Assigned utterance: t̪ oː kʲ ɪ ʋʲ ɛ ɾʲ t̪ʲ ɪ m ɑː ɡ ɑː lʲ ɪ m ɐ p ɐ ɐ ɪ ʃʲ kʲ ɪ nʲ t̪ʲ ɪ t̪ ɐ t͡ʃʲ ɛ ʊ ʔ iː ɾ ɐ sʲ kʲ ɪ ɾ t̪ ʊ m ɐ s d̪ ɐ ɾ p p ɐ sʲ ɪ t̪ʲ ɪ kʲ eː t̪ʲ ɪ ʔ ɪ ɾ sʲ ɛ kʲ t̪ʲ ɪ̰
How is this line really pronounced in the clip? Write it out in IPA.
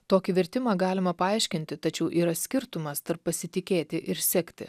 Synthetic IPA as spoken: t̪ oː kʲ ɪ ʋʲ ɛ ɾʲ t̪ʲ ɪ m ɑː ɡ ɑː lʲ ɪ m ɐ p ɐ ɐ ɪ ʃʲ kʲ ɪ nʲ t̪ʲ ɪ t̪ ɐ t͡ʃʲ ɛ ʊ ʔ iː ɾ ɐ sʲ kʲ ɪ ɾ t̪ ʊ m ɐ s t̪ ɐ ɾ p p ɐ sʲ ɪ t̪ʲ ɪ kʲ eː t̪ʲ ɪ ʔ ɪ ɾ sʲ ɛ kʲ t̪ʲ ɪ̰

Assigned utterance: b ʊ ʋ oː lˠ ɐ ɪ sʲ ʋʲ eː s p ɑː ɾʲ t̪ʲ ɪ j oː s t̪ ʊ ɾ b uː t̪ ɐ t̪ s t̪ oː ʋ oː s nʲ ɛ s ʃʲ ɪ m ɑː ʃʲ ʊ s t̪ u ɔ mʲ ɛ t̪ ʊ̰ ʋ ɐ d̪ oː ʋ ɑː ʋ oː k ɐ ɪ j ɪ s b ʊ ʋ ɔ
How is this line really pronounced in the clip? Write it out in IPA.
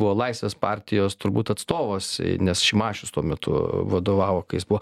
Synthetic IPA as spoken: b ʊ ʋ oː lˠ ɐ ɪ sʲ ʋʲ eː s p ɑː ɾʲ t̪ʲ ɪ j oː s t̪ ʊ ɾ b uː t̪ ɐ t̪ s t̪ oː ʋ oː s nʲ ɛ s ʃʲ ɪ m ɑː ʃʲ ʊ s t̪ u ɔ mʲ ɛ t̪ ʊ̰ ʋ ɐ d̪ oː ʋ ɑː ʋ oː k ɐ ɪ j ɪ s b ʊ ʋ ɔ

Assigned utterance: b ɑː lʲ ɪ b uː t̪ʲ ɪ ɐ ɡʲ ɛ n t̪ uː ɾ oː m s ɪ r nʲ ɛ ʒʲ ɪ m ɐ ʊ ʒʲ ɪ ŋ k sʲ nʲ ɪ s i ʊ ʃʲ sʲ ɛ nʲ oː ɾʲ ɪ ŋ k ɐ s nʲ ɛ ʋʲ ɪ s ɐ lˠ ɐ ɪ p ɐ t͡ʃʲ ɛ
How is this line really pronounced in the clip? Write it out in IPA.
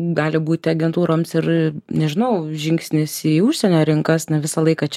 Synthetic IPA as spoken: ɡ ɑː lʲ ɪ b uː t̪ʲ ɪ ɐ ɡʲ ɛ n t̪ uː ɾ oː m s ɪ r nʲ ɛ ʒʲ ɪ n ɐ ʊ ʒʲ ɪ ŋ k sʲ nʲ ɪ s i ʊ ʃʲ sʲ ɛ nʲ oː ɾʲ ɪ ŋ k ɐ s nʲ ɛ ʋʲ ɪ s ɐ lˠ ɐ ɪ k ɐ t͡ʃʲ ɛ

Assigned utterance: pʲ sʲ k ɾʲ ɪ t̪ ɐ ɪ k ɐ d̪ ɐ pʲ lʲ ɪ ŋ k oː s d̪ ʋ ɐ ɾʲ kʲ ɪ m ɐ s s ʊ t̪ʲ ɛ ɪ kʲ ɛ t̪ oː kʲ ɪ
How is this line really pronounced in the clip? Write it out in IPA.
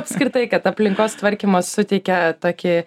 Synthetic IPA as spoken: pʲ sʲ k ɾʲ ɪ t̪ ɐ ɪ k ɐ t̪ ɐ pʲ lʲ ɪ ŋ k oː s t̪ ʋ ɐ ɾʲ kʲ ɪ m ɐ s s ʊ t̪ʲ ɛ ɪ kʲ ɛ t̪ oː kʲ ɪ

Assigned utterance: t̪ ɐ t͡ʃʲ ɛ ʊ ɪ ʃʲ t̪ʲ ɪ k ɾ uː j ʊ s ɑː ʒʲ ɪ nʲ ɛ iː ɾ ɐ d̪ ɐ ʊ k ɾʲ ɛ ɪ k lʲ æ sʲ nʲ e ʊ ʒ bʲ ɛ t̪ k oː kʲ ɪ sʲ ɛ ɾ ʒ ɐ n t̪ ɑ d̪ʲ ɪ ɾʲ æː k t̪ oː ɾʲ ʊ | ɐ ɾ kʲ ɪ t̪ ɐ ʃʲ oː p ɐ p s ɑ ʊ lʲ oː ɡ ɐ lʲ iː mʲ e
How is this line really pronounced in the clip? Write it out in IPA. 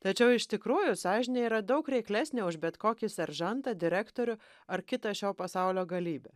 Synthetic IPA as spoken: t̪ ɐ t͡ʃʲ ɛ ʊ ɪ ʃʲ t̪ʲ ɪ k ɾ uː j ʊ s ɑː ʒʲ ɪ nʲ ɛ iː ɾ ɐ d̪ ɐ ʊ k ɾʲ ɛ ɪ k lʲ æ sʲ nʲ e ʊ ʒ bʲ ɛ t̪ k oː kʲ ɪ sʲ ɛ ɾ ʒ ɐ n t̪ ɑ d̪ʲ ɪ ɾʲ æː k t̪ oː ɾʲ ʊ | ɐ ɾ kʲ ɪ t̪ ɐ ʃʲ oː p ɐ s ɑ ʊ lʲ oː ɡ ɐ lʲ iː bʲ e

